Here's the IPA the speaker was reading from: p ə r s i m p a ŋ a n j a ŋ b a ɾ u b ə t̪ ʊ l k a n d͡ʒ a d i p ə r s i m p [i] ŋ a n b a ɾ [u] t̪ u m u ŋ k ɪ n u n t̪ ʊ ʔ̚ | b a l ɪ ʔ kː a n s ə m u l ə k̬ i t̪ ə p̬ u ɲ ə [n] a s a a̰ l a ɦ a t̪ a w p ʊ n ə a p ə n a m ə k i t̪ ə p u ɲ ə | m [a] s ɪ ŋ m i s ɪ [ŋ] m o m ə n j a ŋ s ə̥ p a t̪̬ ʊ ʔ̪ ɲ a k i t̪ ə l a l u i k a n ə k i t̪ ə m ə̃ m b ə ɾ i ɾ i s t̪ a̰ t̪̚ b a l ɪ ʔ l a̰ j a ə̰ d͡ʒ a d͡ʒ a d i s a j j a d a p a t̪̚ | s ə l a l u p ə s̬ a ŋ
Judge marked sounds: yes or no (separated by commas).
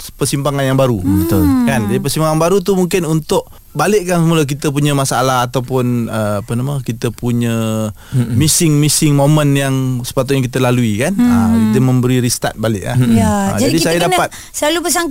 no, yes, no, no, yes